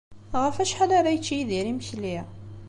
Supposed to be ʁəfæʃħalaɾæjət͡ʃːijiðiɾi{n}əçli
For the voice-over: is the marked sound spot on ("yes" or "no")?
no